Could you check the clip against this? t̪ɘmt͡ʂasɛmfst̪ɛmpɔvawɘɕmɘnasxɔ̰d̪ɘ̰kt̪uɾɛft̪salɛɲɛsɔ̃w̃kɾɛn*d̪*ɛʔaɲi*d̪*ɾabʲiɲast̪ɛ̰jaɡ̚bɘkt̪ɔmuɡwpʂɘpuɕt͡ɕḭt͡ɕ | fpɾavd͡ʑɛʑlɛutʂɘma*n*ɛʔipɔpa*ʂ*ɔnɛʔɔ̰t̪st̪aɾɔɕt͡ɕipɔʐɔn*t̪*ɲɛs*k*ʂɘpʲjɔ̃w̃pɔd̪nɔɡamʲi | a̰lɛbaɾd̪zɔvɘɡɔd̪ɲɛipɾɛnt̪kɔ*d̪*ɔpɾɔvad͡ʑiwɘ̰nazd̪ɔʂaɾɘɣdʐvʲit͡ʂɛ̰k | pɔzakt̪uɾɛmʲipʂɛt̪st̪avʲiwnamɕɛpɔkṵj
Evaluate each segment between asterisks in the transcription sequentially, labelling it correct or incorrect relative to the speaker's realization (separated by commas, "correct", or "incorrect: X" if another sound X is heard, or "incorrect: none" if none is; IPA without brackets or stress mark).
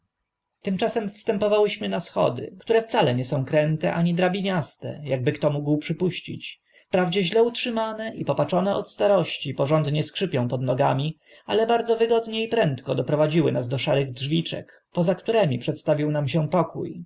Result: incorrect: t̪, correct, correct, incorrect: t͡ʂ, incorrect: d̪, correct, correct